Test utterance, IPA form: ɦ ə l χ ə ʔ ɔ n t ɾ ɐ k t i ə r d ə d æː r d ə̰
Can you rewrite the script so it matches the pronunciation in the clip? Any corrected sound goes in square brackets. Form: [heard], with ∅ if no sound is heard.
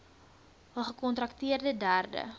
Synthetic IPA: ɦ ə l χ ə [k] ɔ n t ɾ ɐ k t i ə r d ə d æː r d ə̰

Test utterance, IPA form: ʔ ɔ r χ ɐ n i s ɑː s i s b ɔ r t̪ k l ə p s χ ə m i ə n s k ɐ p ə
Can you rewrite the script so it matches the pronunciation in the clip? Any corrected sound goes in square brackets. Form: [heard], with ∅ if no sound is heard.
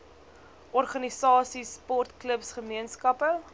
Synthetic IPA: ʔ ɔ r χ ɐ n i s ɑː s i s [p] ɔ r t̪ k l ə p s χ ə m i ə n s k ɐ p ə

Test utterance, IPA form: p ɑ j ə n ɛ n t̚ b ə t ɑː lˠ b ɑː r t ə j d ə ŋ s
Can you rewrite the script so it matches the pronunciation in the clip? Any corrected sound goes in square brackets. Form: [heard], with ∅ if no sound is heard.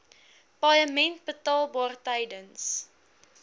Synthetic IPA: p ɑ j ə [m] ɛ n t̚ b ə t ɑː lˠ b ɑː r t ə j d ə [n] s

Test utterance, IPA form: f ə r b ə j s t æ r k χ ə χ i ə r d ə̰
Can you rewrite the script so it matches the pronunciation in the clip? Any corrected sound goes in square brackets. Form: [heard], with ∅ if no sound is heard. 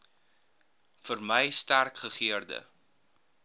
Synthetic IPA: f ə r [m] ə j s t æ r k χ ə χ i ə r d ə̰

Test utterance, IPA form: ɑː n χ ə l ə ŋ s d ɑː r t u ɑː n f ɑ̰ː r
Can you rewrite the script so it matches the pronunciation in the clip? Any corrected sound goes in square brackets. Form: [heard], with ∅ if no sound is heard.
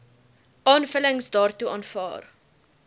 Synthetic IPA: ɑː n [f] ə l ə ŋ s d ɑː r t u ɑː n f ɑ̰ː r

